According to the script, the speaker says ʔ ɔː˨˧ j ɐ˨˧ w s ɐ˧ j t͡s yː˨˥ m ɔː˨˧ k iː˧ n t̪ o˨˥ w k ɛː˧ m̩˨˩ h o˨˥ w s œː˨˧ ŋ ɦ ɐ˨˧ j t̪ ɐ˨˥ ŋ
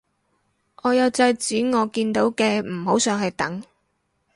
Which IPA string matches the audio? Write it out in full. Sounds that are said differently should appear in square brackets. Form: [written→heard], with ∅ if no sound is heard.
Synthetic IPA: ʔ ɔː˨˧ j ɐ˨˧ w [s→t͡s] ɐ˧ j t͡s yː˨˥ [m→ŋ] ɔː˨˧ k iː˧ n t̪ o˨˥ w k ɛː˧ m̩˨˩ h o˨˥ w s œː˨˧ ŋ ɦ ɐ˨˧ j t̪ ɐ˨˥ ŋ